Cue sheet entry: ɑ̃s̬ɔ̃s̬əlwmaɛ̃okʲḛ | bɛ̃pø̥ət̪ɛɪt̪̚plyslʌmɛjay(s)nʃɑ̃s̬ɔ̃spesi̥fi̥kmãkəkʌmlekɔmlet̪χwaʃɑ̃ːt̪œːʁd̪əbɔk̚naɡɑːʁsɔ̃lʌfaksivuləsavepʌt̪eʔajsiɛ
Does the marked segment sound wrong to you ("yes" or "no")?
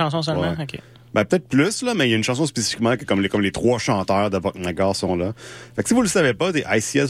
yes